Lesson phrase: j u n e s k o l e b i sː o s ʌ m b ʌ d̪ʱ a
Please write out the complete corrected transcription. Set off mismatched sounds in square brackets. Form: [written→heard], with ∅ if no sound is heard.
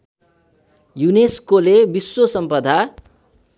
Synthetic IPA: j u n e s k o l e b i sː o s ʌ m [b→p] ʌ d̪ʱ a